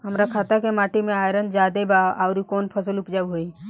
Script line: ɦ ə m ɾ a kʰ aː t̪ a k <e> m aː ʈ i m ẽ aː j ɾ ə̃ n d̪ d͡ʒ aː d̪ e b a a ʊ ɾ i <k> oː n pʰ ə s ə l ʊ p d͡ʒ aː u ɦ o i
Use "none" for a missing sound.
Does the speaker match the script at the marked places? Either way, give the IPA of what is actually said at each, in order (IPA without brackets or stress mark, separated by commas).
e, k